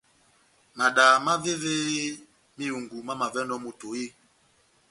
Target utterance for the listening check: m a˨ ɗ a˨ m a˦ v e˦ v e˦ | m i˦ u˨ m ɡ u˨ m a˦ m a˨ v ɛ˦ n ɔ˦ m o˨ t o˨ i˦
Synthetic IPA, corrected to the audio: m a˨ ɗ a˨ m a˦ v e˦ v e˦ | m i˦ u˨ ŋ ɡ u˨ m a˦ m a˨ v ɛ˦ n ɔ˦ m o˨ t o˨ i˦